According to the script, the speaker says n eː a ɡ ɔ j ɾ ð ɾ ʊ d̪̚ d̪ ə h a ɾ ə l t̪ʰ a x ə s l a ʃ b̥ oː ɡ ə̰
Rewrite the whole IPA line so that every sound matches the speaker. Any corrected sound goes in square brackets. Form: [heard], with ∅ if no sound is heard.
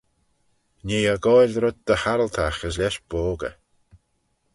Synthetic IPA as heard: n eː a ɡ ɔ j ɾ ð ɾ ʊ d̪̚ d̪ ə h a ɾ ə l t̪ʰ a x ə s l [ɛ] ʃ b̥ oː ɡ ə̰